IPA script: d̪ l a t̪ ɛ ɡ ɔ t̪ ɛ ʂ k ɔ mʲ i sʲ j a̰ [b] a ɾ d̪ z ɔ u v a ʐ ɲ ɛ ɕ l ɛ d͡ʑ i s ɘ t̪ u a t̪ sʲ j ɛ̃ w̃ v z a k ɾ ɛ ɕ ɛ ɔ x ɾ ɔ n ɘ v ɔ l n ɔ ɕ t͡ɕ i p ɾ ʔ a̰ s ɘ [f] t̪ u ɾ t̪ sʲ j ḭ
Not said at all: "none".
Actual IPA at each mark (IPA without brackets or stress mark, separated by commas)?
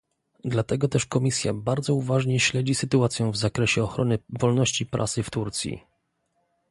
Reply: b, f